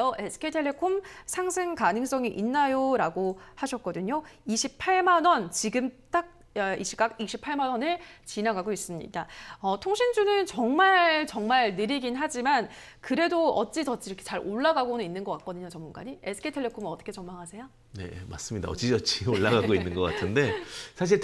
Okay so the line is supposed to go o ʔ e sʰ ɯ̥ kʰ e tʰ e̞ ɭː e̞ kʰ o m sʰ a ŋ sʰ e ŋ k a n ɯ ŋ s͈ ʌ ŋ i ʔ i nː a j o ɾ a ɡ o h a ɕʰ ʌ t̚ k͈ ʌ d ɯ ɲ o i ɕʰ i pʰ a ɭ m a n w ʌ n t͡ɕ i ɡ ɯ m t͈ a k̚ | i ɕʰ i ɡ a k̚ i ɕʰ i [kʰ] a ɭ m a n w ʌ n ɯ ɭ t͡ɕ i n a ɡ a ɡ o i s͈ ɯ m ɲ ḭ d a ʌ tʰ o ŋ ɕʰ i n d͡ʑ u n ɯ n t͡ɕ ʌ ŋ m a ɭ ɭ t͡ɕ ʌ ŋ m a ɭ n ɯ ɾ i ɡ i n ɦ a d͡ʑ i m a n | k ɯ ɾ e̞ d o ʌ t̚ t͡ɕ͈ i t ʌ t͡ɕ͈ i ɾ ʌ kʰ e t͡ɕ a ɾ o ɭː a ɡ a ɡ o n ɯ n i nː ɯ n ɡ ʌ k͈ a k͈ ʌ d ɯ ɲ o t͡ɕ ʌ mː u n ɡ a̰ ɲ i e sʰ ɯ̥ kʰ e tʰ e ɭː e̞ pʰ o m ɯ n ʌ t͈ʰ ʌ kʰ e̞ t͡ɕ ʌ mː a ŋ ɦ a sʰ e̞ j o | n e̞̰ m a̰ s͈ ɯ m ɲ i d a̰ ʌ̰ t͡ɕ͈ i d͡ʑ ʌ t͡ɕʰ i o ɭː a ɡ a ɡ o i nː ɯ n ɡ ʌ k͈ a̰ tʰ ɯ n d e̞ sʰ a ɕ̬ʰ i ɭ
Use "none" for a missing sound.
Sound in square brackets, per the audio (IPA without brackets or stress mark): pʰ